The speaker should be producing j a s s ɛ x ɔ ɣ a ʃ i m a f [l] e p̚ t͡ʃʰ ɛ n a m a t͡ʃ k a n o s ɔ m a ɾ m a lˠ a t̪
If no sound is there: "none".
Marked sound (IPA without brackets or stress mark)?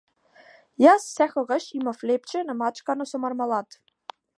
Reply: l